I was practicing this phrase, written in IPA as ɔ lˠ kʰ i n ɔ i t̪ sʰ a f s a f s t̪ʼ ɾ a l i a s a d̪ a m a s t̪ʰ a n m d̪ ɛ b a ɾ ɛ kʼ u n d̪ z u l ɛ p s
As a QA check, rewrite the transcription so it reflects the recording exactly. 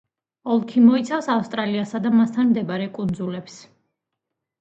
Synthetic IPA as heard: ɔ lˠ kʰ i m ɔ i t̪ sʰ a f s a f s t̪ʼ ɾ a l i a s a d̪ a m a s t̪ʰ a n m d̪ ɛ b a ɾ ɛ kʼ u n d̪ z u l ɛ p s